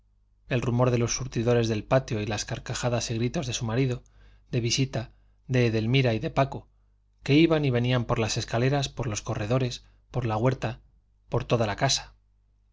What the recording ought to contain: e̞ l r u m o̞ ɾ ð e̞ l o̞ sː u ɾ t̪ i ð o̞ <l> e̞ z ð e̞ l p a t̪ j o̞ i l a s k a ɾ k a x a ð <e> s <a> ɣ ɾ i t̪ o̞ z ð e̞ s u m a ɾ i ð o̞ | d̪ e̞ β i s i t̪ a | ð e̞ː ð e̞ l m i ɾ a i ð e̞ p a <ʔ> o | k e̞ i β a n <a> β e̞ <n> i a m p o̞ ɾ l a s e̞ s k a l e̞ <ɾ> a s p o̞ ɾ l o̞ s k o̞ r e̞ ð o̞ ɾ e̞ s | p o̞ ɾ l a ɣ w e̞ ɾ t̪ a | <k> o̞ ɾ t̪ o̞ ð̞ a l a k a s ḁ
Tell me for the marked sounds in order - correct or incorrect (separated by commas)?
incorrect, incorrect, incorrect, incorrect, incorrect, correct, correct, incorrect